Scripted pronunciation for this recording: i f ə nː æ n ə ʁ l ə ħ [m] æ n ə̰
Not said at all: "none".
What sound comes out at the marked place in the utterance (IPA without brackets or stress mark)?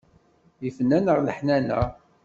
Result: n